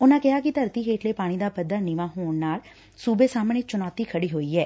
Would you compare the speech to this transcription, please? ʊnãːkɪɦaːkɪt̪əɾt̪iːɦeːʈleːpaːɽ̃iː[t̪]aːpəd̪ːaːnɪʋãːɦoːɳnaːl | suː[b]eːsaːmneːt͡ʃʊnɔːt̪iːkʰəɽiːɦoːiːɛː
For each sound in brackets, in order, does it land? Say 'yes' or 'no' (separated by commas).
no, yes